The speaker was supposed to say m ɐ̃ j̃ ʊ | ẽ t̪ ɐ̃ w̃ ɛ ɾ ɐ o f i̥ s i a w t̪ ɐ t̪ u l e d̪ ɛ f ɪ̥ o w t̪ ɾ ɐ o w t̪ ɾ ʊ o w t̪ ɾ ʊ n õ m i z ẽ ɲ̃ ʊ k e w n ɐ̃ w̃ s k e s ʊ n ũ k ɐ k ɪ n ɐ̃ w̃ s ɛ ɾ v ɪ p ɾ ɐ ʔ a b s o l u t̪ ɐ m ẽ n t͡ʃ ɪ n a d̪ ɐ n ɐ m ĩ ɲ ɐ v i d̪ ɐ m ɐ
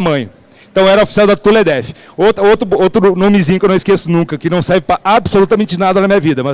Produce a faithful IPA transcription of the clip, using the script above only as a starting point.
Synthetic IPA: m ɐ̃ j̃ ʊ | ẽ t̪ ɐ̃ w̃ ɛ ɾ ɐ o f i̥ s i a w d̪ ɐ t̪ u l e d̪ ɛ f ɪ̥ o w t̪ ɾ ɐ o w t̪ ɾ ʊ o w t̪ ɾ ʊ n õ m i z ĩ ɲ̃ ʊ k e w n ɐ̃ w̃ s k e s ʊ n ũ k ɐ k ɪ n ɐ̃ w̃ s ɛ ɾ v ɪ p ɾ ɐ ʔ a b s o l u t̪ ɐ m ẽ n t͡ʃ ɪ n a d̪ ɐ n ɐ m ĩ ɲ ɐ v i d̪ ɐ m ɐ